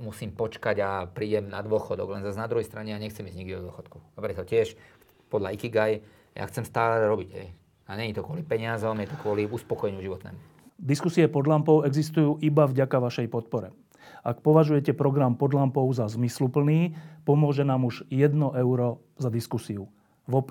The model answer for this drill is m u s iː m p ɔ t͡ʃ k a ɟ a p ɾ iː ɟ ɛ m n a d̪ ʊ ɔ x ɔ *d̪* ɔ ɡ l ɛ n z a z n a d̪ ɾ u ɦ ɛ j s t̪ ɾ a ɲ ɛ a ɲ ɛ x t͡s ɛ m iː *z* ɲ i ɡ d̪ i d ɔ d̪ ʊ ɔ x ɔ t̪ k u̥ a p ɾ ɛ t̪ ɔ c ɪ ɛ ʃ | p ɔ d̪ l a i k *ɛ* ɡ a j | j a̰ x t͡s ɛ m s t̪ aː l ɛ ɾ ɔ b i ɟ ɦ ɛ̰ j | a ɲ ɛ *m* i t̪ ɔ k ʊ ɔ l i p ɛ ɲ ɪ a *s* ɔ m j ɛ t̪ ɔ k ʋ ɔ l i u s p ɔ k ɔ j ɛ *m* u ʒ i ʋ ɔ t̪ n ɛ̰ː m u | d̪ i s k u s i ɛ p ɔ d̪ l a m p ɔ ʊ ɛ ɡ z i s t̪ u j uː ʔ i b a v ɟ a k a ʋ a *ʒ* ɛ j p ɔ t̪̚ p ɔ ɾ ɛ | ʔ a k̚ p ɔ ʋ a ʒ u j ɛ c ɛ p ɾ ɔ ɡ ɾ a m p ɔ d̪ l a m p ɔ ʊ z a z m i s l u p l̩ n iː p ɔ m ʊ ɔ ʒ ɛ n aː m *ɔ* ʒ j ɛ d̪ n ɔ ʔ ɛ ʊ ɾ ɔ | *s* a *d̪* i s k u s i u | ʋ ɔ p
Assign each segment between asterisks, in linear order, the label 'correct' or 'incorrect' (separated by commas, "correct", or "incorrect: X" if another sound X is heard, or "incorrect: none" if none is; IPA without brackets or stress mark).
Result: correct, correct, incorrect: i, incorrect: ɲ, incorrect: z, incorrect: ɲ, incorrect: ʃ, incorrect: u, incorrect: z, correct